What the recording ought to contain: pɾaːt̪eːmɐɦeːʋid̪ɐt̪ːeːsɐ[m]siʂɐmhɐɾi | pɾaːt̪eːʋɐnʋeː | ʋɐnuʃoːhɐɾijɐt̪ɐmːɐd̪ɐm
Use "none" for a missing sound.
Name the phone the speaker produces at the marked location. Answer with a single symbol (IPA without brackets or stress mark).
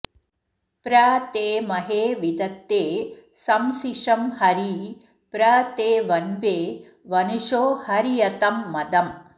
m